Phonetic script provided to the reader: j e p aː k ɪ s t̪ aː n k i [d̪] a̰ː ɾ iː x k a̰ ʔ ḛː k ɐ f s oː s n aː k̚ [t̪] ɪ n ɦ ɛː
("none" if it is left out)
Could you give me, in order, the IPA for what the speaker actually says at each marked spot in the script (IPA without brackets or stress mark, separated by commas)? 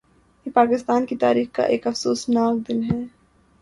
t̪, d̪